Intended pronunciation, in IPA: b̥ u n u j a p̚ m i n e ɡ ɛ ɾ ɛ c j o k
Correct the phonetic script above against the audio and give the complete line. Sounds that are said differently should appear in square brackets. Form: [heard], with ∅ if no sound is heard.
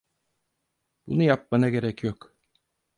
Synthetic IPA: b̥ u n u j a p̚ m [a] n [a] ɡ [e] ɾ ɛ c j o k